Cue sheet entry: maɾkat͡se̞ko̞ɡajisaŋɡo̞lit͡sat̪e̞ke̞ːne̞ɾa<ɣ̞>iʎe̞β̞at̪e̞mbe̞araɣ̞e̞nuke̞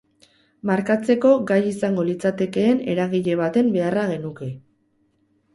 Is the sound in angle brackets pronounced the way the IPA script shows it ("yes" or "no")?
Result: yes